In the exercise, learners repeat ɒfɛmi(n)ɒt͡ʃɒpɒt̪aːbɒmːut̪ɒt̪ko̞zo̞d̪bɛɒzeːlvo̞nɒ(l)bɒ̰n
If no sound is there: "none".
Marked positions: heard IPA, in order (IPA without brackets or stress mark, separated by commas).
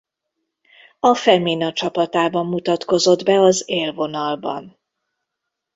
n, l